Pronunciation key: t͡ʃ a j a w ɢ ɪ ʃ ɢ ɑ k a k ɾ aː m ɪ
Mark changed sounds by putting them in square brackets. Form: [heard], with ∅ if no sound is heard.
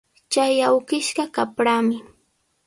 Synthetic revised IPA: t͡ʃ a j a w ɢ ɪ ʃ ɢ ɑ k a [p] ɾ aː m ɪ

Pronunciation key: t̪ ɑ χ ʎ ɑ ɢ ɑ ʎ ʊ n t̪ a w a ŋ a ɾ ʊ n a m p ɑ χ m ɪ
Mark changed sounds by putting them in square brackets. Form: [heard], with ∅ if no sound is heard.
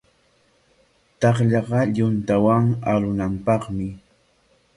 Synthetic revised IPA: t̪ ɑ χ ʎ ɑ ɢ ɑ ʎ ʊ n t̪ a w a ŋ a ɾ ʊ n a m p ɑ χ m ɪ

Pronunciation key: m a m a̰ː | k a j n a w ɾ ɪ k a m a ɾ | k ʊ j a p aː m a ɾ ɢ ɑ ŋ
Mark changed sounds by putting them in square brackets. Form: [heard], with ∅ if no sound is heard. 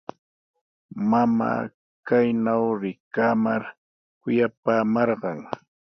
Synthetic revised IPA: m a m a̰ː | k a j n a w ɾ ɪ k a m a ɾ | k ʊ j a p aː m [ɑ] ɾ ɢ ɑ ŋ

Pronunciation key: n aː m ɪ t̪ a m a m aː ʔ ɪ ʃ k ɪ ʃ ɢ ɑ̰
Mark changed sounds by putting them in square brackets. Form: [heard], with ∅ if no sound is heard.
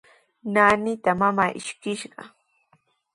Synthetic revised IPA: n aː [n] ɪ t̪ a m a m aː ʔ ɪ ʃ k ɪ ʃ ɢ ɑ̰

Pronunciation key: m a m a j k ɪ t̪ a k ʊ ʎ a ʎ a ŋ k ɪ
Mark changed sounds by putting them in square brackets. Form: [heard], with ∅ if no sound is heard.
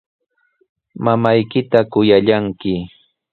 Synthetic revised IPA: m a m a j k ɪ t̪ a k ʊ [j] a ʎ a ŋ k ɪ

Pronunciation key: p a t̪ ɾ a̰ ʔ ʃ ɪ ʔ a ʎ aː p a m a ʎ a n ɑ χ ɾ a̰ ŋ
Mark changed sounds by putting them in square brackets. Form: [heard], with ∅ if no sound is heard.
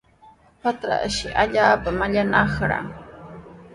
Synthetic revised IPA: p a t̪ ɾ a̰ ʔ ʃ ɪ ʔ a ʎ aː p a m a ʎ a n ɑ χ ɾ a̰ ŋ

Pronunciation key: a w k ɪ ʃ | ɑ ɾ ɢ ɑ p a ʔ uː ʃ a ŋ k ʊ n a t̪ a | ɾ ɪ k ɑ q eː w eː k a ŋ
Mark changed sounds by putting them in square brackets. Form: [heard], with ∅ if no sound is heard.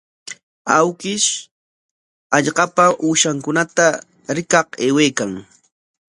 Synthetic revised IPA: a w k ɪ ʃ | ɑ [ʎ] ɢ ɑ p a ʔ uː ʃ a ŋ k ʊ n a t̪ a | ɾ ɪ k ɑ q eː w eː k a ŋ

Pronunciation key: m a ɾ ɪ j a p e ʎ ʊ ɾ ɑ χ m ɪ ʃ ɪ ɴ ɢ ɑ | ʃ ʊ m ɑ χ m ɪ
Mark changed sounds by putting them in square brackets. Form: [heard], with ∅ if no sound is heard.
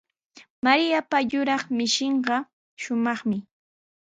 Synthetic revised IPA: m a ɾ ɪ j a p [a] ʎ ʊ ɾ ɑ χ m ɪ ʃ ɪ ɴ ɢ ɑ | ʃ ʊ m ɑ χ m ɪ

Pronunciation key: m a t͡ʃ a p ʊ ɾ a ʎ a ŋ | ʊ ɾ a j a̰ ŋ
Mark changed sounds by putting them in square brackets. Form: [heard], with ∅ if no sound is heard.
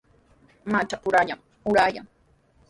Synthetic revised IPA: m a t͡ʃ a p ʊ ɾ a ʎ a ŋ | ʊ ɾ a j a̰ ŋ

